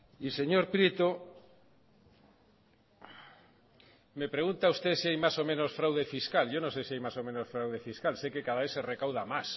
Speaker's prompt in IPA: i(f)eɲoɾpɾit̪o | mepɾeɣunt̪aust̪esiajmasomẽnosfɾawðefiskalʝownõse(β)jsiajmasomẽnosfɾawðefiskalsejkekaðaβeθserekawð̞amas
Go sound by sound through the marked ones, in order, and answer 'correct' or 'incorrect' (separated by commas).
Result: incorrect, incorrect